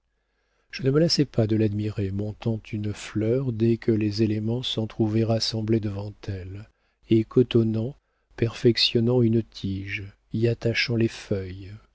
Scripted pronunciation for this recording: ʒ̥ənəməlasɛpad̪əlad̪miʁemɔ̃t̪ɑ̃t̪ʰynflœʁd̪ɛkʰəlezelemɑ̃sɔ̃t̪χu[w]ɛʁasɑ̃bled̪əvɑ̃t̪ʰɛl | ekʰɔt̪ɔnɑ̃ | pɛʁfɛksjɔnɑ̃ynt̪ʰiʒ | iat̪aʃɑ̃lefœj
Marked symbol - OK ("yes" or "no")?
no